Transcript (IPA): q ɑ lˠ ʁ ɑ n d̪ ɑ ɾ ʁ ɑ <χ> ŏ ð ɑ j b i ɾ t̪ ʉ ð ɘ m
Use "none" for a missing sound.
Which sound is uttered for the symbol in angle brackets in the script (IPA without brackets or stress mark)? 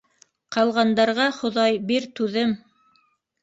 χ